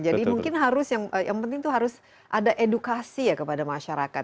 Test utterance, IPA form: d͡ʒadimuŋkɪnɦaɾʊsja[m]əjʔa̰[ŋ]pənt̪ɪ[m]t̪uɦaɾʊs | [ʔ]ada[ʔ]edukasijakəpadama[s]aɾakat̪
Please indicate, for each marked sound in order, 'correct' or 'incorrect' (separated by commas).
incorrect, correct, incorrect, correct, correct, incorrect